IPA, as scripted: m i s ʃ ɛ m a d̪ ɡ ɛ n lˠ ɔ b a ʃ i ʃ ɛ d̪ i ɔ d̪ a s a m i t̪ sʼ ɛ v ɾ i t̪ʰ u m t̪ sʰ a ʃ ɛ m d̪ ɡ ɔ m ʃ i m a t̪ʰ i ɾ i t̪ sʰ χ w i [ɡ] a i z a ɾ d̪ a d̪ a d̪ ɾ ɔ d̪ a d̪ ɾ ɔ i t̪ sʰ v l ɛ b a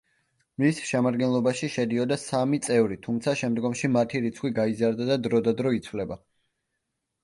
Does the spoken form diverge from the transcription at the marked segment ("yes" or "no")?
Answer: no